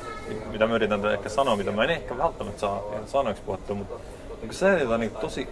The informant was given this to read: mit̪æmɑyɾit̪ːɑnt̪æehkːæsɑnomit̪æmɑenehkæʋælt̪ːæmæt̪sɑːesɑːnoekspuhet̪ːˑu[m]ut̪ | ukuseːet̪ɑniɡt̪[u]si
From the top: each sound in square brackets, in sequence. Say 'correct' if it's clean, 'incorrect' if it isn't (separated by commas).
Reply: correct, incorrect